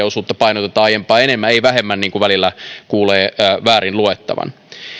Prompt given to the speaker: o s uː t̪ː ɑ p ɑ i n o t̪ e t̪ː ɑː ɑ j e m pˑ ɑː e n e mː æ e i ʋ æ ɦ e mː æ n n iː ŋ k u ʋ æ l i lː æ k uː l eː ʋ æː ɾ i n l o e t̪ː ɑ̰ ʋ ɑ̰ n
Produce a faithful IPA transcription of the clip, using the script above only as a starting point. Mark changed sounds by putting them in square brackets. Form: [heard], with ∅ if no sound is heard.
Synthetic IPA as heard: o s uː t̪ː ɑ p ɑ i n o t̪ e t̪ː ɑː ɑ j e m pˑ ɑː e n e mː æ e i ʋ æ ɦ e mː æ n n iː ŋ k u ʋ æ l i lː æ k uː l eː ʋ æː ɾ i n l [u] e t̪ː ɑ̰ ʋ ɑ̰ n